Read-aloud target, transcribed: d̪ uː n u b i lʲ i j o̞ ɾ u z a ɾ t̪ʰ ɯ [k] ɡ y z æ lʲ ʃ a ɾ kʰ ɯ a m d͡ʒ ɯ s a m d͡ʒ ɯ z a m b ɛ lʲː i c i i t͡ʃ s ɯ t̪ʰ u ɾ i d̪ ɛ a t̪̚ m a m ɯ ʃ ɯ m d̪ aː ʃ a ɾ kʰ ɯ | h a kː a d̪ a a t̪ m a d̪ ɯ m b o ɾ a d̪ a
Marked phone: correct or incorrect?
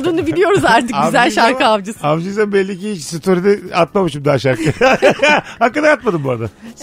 correct